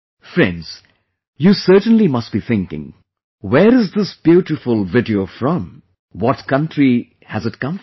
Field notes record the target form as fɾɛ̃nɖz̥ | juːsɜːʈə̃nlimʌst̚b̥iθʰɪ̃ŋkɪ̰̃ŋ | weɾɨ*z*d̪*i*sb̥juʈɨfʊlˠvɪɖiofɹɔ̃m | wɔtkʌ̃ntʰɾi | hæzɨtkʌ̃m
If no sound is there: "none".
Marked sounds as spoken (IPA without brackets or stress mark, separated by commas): z, ɪ